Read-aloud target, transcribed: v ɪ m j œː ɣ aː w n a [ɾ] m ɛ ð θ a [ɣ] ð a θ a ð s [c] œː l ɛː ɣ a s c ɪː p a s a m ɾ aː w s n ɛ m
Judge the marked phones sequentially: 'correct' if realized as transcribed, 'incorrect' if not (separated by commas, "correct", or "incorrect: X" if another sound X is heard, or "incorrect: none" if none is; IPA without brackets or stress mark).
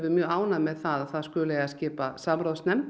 incorrect: none, incorrect: none, incorrect: k